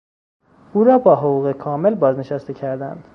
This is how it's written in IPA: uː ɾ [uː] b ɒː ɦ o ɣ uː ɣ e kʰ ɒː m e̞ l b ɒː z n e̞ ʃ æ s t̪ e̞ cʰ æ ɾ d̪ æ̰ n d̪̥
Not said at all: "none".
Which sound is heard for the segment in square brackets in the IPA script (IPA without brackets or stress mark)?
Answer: ɒː